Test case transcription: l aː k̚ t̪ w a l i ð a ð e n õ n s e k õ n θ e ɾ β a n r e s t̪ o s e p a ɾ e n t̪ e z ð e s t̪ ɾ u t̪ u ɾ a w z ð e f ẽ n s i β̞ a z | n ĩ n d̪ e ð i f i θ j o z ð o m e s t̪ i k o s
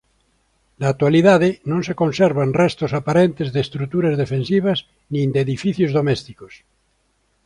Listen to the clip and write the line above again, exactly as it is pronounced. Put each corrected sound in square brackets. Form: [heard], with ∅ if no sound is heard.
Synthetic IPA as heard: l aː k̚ t̪ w a l i ð a ð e n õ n s e k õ n [s] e ɾ β a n r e s t̪ o s [a] p a ɾ e n t̪ e z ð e s t̪ ɾ u t̪ u ɾ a [∅] z ð e f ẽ n s i β̞ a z | n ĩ n d̪ e ð i f i θ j o z ð o m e s t̪ i k o s